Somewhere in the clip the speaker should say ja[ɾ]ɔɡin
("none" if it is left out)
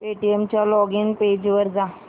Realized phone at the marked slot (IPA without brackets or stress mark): l